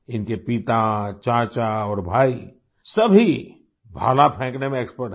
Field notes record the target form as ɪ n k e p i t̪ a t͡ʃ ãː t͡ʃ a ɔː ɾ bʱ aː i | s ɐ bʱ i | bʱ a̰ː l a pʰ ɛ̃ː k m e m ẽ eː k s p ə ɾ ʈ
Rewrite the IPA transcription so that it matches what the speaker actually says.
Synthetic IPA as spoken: ɪ n k e p i t̪ a t͡ʃ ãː t͡ʃ a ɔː ɾ bʱ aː i | s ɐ bʱ i | bʱ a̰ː l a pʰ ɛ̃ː k n e m ẽ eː k s p ə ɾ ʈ